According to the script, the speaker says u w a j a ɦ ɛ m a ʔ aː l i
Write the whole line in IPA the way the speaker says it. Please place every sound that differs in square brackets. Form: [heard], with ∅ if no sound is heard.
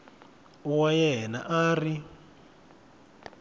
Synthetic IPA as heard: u w a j [ɛ] ɦ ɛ [n] a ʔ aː [r] i